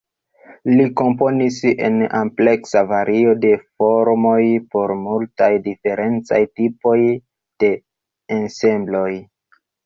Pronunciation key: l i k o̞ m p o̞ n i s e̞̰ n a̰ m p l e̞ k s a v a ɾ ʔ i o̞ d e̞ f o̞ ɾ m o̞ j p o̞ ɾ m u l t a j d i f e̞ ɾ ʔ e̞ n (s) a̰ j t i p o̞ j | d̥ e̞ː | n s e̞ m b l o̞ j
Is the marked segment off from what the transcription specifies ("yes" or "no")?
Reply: yes